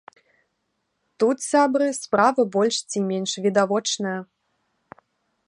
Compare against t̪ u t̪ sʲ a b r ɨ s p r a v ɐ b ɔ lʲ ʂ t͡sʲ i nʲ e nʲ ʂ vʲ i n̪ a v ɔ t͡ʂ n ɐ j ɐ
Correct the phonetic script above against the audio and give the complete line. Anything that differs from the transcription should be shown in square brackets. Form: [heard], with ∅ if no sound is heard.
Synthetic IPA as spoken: t̪ u t̪ sʲ a b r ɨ s p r a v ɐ b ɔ lʲ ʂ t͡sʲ i [mʲ] e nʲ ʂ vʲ i [d̪] a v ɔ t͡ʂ n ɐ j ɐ